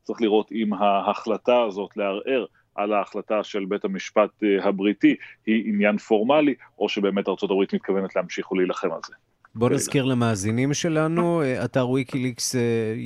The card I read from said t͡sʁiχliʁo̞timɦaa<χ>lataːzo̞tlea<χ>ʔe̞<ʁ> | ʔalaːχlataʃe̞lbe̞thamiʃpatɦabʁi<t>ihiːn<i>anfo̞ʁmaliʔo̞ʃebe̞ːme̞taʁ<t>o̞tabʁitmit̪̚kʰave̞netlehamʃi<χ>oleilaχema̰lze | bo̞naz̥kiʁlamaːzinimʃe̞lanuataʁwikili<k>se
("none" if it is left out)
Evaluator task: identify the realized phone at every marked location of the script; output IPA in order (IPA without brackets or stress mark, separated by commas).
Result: χ, ʁ, ʁ, t, j, t͡s, χ, k